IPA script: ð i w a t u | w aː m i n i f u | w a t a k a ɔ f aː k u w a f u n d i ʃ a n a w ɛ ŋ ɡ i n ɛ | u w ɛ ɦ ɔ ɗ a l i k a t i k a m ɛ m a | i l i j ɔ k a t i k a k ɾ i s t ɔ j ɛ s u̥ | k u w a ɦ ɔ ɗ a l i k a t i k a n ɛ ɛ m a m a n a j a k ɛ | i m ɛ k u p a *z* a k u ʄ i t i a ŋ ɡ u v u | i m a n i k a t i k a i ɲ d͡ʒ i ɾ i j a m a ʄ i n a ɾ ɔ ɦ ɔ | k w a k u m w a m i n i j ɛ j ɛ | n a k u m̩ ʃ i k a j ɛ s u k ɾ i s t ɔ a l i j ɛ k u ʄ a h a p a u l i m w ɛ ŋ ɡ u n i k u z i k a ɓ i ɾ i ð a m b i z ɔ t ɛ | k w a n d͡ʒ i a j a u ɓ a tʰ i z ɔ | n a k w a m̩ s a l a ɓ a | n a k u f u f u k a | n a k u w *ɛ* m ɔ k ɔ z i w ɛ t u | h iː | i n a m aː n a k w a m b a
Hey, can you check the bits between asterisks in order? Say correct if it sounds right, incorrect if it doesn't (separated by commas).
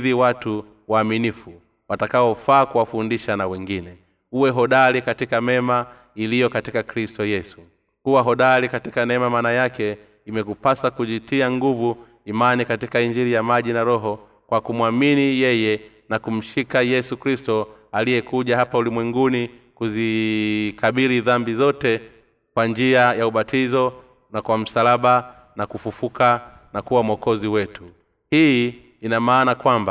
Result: incorrect, incorrect